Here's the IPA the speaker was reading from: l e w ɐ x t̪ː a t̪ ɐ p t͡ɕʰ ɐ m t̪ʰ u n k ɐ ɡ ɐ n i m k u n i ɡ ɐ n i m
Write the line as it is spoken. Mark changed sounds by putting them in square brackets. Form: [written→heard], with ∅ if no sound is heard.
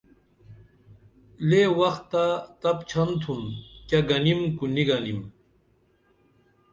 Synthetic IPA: l e w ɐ x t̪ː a t̪ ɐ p t͡ɕʰ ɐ [m→n] t̪ʰ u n k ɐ ɡ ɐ n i m k u n i ɡ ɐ n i m